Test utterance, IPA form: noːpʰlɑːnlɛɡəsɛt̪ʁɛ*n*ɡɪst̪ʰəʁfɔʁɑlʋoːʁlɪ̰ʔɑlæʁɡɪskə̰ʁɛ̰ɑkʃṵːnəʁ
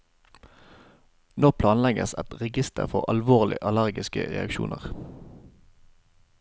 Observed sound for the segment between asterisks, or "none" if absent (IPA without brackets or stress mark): none